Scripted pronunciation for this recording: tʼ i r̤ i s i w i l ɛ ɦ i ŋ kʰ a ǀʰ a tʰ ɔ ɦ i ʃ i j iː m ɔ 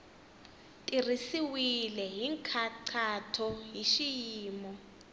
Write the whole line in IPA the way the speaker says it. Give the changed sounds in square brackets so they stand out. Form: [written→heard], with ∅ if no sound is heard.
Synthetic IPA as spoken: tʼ i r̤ i s i w i l ɛ ɦ i ŋ kʰ a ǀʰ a tʰ ɔ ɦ i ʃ i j iː m ɔ